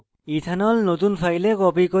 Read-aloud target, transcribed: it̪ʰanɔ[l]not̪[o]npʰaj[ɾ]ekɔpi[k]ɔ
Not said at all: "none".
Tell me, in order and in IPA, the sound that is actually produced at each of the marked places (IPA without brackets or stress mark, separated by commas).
l, u, l, k